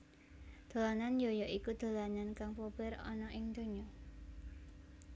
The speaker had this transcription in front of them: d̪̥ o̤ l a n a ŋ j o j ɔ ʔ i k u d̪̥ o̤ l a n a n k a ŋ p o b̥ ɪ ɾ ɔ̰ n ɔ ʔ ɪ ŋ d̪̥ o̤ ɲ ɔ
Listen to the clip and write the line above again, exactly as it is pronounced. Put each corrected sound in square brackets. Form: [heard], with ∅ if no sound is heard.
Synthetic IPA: d̪̥ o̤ l a n a [n] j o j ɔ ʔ i k u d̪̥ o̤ l a n a n k a ŋ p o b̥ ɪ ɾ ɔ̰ n ɔ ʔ ɪ ŋ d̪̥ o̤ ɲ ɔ